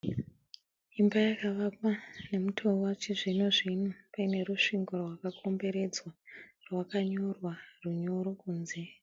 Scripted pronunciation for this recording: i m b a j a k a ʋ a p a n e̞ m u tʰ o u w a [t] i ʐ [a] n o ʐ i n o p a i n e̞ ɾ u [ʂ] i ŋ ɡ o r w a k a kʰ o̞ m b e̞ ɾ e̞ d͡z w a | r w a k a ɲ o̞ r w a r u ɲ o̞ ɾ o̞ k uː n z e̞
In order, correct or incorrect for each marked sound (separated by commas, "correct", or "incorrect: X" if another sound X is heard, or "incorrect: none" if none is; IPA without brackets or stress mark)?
incorrect: t͡ʃ, incorrect: i, correct